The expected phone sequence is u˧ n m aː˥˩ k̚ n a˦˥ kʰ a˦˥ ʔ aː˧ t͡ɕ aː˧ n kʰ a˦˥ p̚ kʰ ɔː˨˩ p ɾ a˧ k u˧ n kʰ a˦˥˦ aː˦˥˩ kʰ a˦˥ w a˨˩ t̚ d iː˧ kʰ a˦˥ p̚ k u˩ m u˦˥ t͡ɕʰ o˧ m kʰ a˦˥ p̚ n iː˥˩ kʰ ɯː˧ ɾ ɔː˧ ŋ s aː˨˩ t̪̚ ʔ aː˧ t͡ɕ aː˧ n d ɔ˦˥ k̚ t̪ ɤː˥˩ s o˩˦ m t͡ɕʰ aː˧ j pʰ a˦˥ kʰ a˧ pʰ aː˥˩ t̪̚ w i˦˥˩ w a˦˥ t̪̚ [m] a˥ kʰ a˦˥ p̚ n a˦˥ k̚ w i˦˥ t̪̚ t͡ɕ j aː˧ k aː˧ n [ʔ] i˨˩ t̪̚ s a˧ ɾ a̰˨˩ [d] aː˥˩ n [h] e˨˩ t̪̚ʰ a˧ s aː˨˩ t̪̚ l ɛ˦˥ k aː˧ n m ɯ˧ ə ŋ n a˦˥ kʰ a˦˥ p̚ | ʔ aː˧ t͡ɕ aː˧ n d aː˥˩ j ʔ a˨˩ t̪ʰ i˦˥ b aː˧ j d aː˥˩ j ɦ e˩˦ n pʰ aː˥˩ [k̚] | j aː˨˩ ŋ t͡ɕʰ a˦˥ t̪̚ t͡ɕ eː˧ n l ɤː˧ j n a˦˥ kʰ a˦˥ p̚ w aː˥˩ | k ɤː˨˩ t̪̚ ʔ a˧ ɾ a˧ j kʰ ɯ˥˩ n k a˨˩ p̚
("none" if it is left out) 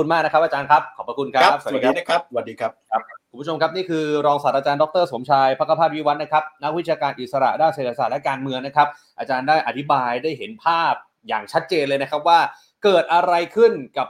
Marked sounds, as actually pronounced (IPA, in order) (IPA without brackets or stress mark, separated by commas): n, ʔ, d, s, p̚